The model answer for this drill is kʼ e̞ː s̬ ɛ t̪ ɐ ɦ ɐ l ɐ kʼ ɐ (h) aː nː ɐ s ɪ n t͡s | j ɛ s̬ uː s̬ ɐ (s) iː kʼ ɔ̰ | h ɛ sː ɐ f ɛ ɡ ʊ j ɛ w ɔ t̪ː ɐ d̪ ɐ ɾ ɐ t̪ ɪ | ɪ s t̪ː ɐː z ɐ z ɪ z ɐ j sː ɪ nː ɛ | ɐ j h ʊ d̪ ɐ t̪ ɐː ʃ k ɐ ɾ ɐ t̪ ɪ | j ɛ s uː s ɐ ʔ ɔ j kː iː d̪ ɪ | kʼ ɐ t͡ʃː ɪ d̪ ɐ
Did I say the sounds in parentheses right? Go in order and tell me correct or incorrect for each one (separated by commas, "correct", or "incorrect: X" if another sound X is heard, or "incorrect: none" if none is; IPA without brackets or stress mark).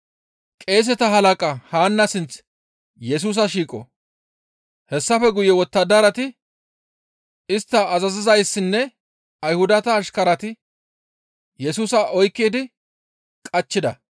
correct, incorrect: ʃ